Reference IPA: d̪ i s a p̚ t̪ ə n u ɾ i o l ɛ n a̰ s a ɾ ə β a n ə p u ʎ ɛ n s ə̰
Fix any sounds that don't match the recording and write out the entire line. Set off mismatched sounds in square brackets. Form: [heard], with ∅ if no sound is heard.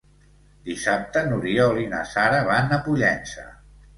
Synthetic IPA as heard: d̪ i s a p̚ t̪ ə n u ɾ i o l [i] n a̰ s a ɾ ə β a n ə p u ʎ ɛ n s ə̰

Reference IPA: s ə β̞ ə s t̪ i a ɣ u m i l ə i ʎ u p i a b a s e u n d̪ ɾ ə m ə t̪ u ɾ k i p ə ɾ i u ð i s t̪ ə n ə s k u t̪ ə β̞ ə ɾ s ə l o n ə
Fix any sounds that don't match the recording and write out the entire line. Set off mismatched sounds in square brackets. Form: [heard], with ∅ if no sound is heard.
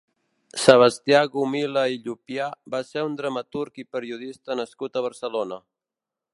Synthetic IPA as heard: s ə β̞ ə s t̪ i a ɣ u m i l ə i ʎ u p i a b a s e u n d̪ ɾ ə m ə t̪ u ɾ k i p ə ɾ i u ð i s t̪ ə n ə s k u t̪ ə β̞ ə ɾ s ə l o n ə

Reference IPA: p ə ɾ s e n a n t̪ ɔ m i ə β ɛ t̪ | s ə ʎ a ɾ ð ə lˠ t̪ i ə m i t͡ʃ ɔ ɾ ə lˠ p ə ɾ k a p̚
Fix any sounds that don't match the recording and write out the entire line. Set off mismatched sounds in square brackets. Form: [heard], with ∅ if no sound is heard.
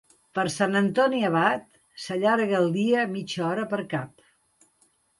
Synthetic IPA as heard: p ə ɾ s [a] n [ə] n t̪ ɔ [n] i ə β [a] t̪ | s ə ʎ a ɾ [ɣ] ə lˠ [d̪] i ə m i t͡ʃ ɔ ɾ ə [∅] p ə ɾ k a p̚

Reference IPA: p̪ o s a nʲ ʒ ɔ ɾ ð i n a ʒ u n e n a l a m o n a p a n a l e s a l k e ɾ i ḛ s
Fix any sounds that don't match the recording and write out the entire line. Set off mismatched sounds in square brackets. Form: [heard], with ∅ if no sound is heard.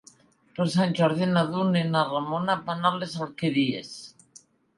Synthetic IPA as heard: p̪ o s a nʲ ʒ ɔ ɾ ð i n a [ð] u n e n a [r] a m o n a p a n a l e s a l k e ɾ i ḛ s

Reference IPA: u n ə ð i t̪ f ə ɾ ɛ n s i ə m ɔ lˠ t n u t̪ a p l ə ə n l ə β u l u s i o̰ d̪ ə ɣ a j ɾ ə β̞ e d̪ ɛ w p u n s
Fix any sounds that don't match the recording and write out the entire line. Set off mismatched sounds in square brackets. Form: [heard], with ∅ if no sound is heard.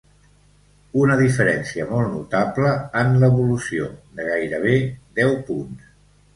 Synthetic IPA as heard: u n ə ð i [∅] f ə ɾ ɛ n s i ə m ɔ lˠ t n u t̪ a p l ə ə n l ə β u l u s i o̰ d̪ ə ɣ a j ɾ ə β̞ e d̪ ɛ w p u n s

